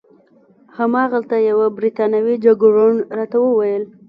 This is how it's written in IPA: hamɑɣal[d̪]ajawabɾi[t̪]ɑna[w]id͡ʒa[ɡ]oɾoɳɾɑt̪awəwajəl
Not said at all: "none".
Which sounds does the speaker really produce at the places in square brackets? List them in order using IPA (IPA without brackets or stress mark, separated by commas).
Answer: t̪, t̪, w, ɡ